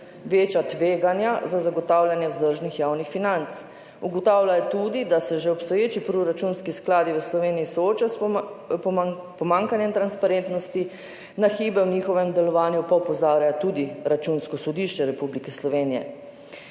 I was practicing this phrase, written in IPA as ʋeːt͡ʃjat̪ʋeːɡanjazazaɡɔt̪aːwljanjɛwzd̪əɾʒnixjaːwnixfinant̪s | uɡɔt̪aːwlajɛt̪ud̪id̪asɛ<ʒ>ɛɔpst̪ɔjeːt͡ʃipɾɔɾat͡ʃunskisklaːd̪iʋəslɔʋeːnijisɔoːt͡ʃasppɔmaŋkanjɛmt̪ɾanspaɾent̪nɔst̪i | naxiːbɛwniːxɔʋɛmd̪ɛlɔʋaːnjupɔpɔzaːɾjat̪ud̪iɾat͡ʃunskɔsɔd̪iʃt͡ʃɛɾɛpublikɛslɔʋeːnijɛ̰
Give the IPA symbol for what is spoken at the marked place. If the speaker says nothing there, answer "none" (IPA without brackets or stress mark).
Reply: ʒ